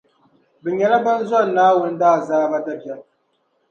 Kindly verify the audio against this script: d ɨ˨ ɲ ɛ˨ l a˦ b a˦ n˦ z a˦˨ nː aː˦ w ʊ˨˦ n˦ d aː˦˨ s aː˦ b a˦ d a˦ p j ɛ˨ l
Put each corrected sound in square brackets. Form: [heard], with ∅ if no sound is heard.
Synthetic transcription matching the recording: [b] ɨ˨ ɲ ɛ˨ l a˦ b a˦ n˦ z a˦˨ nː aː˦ w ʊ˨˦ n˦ d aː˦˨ [z] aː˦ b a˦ d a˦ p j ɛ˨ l